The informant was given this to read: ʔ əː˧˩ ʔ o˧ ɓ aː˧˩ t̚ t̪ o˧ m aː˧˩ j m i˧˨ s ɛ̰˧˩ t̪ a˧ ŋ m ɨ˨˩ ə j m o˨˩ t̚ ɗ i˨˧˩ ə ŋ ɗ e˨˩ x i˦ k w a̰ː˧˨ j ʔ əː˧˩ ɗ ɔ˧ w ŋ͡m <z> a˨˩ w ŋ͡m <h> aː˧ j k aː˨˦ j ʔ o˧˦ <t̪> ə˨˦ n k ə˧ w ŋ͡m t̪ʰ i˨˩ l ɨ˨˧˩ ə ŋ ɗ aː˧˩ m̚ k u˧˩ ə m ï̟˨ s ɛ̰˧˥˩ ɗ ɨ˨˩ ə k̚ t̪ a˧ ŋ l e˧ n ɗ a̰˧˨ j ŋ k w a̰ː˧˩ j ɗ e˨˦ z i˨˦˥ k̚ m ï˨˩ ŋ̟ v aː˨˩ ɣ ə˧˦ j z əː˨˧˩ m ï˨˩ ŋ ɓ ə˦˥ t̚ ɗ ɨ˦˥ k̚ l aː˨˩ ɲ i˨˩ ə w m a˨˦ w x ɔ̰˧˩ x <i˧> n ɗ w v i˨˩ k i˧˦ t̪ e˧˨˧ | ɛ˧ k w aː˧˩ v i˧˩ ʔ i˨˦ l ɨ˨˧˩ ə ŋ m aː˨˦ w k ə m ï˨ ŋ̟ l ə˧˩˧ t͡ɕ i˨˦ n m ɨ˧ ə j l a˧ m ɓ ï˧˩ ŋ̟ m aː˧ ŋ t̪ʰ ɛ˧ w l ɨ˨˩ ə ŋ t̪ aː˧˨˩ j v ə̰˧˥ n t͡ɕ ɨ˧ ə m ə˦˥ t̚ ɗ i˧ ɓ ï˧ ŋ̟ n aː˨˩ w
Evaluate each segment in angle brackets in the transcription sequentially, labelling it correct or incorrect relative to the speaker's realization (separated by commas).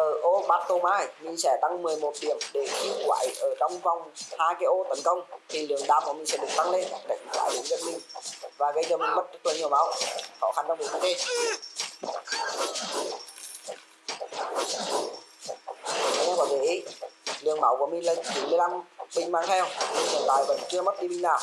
incorrect, correct, correct, incorrect